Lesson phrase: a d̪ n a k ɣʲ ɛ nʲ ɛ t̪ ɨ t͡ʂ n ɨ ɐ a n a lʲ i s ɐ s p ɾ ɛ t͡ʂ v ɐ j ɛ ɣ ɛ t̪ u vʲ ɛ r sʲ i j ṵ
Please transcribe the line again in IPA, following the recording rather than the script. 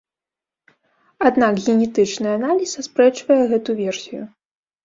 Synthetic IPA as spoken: a d̪ n a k ɣʲ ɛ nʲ ɛ t̪ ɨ t͡ʂ n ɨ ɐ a n a lʲ i s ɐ s p ɾ ɛ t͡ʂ v ɐ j ɛ ɣ ɛ t̪ u vʲ ɛ r sʲ i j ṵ